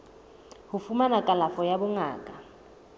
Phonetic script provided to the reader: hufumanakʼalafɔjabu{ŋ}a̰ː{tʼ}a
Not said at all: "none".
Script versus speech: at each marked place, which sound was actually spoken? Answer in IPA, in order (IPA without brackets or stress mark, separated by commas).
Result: ŋ, kʼ